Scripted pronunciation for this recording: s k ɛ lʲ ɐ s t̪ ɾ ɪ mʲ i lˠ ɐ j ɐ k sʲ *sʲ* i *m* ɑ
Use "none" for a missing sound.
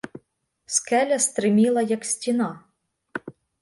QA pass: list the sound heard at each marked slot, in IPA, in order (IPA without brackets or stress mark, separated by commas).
tʲ, n